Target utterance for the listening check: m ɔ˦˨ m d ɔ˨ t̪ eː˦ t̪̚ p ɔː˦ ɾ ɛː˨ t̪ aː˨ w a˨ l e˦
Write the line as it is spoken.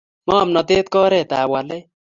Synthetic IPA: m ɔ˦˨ m n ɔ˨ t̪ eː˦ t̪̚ k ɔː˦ ɾ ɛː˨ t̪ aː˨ w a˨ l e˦